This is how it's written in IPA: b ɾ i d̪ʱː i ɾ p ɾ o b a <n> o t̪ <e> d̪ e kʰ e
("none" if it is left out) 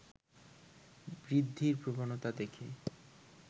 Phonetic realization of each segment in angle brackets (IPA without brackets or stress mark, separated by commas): n, a